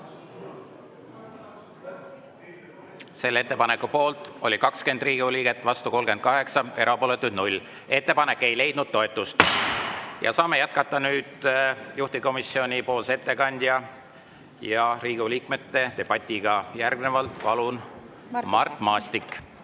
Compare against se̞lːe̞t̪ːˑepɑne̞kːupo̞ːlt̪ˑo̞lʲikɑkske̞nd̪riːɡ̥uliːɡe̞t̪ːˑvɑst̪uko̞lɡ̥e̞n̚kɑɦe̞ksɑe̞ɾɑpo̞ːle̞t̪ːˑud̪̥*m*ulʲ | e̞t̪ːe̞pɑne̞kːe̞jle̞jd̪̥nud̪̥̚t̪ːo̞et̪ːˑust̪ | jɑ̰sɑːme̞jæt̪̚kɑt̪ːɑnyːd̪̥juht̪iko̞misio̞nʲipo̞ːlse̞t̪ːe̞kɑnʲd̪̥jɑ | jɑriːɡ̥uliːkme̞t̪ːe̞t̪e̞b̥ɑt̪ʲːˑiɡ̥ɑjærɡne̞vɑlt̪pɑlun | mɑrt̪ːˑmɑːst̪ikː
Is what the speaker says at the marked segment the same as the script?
no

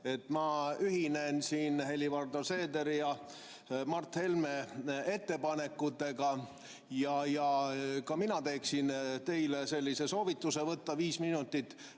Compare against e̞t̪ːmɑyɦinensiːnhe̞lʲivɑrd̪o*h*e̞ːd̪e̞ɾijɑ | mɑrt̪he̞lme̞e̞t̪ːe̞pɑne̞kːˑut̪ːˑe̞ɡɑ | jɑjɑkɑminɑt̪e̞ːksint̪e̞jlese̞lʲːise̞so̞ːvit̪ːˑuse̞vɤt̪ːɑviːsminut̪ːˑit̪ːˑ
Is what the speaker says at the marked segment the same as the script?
no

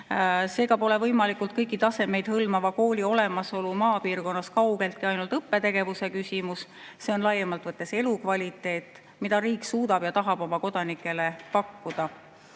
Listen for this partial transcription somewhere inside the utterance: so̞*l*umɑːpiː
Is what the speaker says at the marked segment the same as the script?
yes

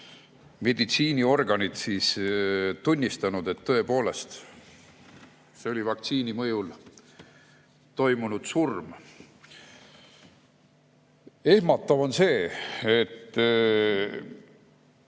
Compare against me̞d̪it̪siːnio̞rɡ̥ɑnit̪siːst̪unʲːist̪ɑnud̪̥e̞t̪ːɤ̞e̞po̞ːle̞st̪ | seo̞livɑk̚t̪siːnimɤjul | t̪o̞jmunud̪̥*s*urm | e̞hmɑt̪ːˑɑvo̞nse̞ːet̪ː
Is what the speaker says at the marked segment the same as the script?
yes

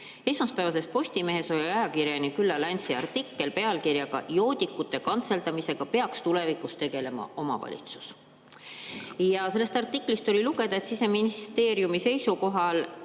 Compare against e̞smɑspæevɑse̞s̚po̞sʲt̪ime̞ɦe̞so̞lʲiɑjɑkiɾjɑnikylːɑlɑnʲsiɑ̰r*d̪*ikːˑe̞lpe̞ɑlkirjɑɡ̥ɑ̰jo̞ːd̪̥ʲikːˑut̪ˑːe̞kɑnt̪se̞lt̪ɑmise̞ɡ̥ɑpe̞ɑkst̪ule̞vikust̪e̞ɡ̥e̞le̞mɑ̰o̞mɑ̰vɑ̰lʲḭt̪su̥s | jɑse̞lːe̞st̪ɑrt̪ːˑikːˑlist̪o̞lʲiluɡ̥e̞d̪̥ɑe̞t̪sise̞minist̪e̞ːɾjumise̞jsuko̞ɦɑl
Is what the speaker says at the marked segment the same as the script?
no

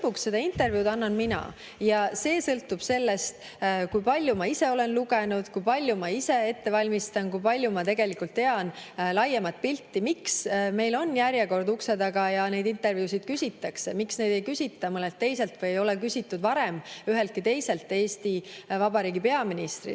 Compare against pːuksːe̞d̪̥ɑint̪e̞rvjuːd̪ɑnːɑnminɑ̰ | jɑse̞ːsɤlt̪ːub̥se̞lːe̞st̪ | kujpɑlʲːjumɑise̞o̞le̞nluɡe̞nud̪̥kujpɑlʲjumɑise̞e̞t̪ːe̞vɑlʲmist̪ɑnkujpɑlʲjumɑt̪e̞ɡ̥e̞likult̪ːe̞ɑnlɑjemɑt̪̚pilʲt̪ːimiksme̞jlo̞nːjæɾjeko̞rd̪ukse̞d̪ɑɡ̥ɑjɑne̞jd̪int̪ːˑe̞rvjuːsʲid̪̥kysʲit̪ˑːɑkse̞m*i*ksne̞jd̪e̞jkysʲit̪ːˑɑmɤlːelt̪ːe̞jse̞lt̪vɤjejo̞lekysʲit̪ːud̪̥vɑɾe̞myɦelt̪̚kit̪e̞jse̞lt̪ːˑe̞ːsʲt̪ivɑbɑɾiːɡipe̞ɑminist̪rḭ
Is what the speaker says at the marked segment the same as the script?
yes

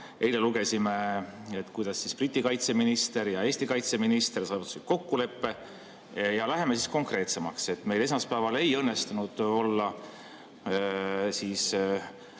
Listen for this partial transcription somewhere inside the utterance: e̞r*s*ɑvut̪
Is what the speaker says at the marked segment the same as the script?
yes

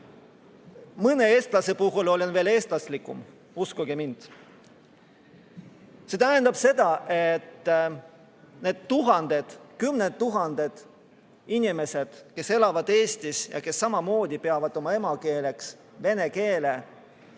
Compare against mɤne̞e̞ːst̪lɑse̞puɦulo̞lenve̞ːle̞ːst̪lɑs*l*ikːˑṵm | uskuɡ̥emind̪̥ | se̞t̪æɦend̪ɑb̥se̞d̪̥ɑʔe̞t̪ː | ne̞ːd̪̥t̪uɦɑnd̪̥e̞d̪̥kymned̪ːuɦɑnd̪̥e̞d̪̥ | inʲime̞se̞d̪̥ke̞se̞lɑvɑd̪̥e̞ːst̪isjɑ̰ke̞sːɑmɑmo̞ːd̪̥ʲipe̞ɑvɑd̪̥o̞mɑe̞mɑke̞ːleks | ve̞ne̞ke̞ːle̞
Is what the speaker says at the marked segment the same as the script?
yes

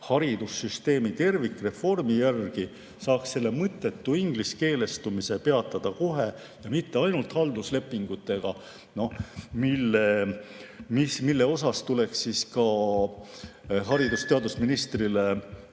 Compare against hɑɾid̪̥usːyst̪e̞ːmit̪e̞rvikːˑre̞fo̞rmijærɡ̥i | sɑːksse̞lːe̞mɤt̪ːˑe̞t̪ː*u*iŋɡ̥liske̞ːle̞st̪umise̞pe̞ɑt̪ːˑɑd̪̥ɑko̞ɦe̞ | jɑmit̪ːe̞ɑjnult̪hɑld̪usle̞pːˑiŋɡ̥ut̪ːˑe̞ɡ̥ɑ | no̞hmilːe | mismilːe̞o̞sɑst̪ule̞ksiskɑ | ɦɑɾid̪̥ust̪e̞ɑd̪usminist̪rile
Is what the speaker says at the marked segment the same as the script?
yes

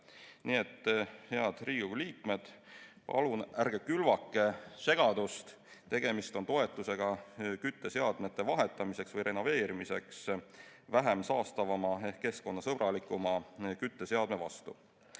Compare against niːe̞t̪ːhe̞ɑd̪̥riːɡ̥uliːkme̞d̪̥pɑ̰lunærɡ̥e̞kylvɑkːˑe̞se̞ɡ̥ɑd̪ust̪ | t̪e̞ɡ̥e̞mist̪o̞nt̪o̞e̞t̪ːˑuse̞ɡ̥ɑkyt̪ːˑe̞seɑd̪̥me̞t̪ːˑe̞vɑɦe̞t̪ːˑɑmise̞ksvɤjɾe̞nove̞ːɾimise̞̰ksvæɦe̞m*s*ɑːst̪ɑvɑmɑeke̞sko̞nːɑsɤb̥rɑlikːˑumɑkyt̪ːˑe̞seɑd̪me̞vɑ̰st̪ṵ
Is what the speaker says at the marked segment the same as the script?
yes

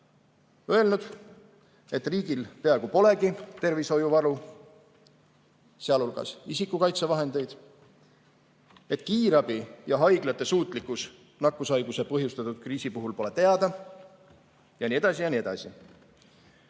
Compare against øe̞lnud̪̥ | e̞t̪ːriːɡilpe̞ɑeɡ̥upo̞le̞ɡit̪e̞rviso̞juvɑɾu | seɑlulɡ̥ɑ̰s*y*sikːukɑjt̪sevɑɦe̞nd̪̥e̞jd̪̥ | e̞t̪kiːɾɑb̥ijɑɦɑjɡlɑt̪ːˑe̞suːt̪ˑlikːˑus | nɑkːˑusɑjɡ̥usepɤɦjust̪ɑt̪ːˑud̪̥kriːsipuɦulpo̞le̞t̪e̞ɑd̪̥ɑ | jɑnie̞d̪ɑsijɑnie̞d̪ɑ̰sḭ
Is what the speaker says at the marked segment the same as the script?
no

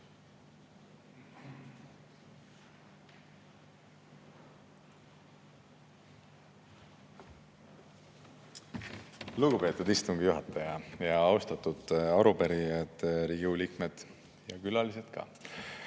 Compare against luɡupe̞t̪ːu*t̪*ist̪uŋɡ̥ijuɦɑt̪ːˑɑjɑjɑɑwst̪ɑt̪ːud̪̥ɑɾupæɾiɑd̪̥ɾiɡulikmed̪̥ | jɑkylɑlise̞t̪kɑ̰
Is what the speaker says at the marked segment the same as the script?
no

